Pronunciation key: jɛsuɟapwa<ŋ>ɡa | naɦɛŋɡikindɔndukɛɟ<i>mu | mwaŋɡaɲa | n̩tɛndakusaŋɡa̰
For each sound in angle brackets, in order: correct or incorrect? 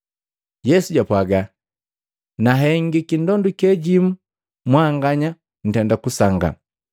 incorrect: none, correct

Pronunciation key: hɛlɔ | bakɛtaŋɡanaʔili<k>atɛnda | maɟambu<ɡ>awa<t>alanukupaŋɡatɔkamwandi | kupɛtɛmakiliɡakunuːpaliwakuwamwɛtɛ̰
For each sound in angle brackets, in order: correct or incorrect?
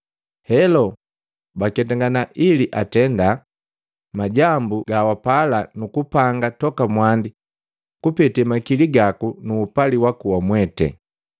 incorrect: ʔ, correct, incorrect: p

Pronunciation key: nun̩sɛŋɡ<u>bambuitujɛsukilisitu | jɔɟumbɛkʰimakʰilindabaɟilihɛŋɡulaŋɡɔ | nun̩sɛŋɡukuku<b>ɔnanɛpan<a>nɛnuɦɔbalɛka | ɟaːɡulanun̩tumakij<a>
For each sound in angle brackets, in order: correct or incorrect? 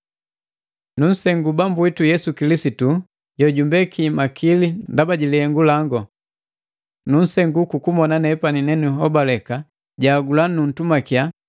correct, incorrect: m, incorrect: i, correct

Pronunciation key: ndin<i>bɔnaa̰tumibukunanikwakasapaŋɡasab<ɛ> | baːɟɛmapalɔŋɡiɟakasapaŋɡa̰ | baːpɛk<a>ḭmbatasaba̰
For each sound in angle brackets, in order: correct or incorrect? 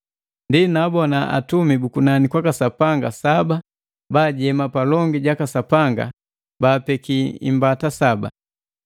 incorrect: a, incorrect: a, incorrect: i

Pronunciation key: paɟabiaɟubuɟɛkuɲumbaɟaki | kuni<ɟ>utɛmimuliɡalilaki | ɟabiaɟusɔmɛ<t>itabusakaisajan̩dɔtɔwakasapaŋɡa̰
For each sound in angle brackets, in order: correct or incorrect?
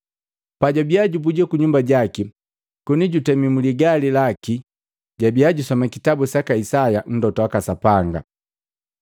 correct, incorrect: k

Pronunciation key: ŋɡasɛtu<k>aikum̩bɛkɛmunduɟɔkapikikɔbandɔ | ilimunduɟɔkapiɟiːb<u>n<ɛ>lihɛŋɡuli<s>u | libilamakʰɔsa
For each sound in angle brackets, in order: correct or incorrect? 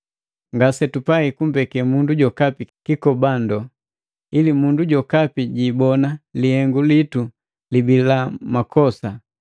incorrect: p, incorrect: ɔ, incorrect: a, incorrect: t

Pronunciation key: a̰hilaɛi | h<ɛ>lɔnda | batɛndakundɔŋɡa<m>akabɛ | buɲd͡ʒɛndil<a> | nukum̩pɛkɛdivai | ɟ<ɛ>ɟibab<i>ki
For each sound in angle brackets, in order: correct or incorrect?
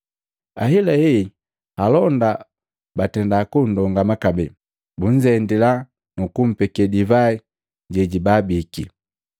incorrect: a, correct, correct, correct, correct

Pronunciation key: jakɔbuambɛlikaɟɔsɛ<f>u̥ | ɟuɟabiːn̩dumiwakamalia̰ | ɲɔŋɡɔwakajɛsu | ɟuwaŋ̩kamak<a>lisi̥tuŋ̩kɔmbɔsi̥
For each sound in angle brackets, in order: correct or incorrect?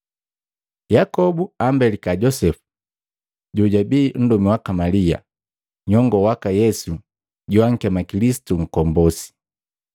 correct, incorrect: i

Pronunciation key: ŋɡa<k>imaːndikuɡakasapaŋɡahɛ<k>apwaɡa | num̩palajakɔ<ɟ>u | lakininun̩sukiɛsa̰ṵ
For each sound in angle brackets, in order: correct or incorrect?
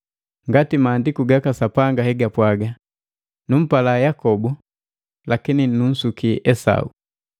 incorrect: t, incorrect: ɡ, incorrect: b

